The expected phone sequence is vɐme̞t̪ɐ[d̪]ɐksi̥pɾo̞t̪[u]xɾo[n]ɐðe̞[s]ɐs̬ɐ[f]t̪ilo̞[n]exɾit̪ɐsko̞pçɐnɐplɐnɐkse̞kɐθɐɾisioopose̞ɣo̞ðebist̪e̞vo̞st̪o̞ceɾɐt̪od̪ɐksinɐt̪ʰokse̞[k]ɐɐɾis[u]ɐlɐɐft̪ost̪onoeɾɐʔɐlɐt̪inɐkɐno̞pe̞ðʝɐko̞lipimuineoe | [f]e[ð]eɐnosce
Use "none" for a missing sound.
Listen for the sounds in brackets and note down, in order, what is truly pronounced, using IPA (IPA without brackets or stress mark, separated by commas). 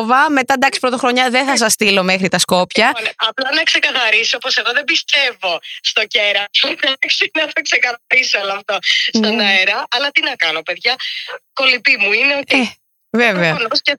d̪, o, ɲ, θ, s, m, k, o, v, v